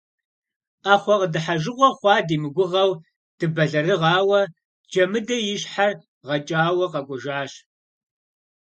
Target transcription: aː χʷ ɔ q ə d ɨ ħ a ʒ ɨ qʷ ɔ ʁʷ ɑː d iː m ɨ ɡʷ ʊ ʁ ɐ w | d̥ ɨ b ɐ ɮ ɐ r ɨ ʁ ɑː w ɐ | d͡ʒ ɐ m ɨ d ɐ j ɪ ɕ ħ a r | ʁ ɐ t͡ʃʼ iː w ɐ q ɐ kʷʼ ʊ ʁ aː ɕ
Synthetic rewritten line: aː χʷ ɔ q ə d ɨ ħ a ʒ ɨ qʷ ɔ χʷ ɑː d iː m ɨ ɡʷ ʊ ʁ ɐ w | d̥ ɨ b ɐ ɮ ɐ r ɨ ʁ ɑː w ɐ | d͡ʒ ɐ m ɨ d ɐ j ɪ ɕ ħ a r | ʁ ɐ t͡ʃʼ aː w ɐ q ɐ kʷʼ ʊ ʒ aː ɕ